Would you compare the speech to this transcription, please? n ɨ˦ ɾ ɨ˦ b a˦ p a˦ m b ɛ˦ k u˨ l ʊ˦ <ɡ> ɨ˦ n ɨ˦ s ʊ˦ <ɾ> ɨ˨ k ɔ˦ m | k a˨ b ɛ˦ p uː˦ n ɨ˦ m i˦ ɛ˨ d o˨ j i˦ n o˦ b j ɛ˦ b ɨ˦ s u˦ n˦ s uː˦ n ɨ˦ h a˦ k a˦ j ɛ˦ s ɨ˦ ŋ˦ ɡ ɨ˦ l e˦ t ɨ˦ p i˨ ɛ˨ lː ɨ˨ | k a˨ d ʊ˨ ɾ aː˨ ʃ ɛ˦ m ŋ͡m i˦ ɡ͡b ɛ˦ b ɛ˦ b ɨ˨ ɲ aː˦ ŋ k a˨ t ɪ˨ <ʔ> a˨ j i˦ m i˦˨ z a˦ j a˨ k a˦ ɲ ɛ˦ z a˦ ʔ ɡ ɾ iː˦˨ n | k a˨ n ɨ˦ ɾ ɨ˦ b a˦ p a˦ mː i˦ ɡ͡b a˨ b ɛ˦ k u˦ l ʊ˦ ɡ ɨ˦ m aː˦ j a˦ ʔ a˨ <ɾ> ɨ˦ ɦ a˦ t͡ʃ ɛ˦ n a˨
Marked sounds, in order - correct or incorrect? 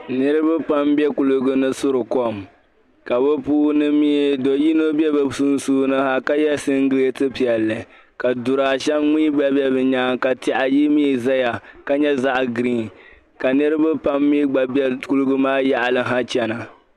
correct, correct, correct, incorrect: l

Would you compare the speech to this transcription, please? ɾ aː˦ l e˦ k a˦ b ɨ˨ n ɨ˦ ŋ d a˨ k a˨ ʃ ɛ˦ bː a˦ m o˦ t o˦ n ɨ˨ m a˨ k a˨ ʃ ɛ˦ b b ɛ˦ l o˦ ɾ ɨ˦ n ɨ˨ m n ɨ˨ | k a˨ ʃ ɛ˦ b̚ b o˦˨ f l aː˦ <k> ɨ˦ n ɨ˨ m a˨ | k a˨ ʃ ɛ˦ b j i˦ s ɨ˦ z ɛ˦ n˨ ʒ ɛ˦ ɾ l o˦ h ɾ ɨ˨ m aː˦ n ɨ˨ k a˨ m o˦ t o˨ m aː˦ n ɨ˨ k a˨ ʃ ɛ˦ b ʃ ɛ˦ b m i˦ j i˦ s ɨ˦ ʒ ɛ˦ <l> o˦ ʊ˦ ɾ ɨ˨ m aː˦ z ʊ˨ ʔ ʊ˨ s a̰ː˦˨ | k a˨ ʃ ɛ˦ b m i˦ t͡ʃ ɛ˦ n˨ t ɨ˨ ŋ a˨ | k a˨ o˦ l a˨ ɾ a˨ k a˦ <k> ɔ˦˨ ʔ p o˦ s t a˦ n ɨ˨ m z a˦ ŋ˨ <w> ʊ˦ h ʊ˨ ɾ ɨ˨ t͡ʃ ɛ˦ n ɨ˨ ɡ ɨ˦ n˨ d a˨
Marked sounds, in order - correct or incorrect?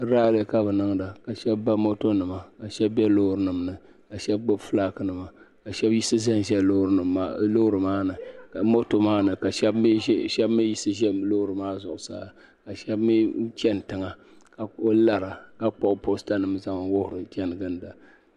correct, correct, incorrect: k͡p, correct

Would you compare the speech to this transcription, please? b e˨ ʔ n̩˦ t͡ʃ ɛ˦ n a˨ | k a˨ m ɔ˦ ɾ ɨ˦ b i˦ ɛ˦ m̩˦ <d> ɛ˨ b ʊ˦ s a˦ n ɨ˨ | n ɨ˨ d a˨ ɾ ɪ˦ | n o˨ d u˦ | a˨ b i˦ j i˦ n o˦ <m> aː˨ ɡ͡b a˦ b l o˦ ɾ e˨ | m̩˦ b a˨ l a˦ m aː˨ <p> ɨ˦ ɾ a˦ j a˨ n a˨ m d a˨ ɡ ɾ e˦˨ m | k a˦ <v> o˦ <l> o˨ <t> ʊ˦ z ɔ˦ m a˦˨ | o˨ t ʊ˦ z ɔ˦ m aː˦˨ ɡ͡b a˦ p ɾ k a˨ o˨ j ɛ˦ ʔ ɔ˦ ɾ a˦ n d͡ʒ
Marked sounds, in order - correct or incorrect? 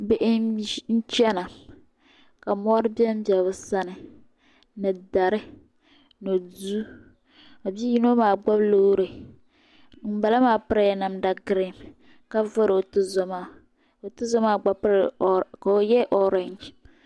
incorrect: b, correct, correct, correct, incorrect: ɾ, correct

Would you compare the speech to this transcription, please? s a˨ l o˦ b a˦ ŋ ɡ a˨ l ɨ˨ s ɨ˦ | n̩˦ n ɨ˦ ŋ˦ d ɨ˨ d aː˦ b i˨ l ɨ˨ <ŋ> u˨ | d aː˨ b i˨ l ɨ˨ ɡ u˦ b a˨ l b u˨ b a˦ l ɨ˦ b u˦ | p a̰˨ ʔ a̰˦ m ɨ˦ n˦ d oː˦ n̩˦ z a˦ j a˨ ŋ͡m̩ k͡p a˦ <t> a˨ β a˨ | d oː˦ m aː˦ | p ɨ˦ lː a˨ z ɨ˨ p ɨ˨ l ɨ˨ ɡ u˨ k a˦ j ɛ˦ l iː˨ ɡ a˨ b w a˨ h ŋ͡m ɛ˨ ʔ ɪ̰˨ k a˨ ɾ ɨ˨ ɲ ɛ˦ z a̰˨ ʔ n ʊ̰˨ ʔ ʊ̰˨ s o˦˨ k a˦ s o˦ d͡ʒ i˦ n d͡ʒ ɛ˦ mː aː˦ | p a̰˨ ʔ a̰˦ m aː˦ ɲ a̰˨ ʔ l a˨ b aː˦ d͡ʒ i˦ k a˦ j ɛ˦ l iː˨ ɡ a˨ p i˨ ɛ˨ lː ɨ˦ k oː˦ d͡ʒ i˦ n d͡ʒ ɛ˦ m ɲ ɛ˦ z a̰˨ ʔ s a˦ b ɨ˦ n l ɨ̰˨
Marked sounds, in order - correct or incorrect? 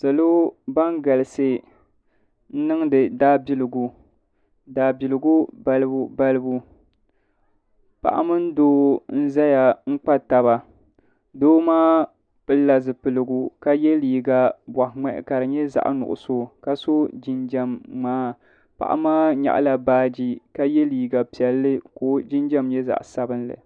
incorrect: ɡ, correct

